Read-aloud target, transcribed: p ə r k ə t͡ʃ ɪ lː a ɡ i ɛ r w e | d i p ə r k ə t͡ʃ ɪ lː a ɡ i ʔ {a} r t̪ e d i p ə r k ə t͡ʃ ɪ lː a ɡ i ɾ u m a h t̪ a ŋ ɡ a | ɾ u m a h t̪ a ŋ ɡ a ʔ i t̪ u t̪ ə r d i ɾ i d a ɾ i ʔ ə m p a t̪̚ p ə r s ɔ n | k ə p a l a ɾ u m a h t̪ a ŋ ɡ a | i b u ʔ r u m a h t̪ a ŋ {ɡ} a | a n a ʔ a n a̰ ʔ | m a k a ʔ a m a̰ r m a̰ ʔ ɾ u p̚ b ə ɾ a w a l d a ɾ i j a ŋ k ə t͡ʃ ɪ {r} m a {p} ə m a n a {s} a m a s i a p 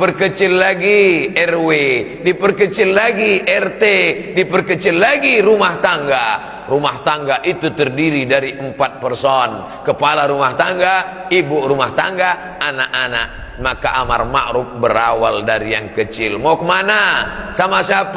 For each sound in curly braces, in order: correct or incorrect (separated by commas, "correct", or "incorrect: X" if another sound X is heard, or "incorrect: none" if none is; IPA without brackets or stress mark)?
incorrect: ɛ, correct, incorrect: l, incorrect: k, correct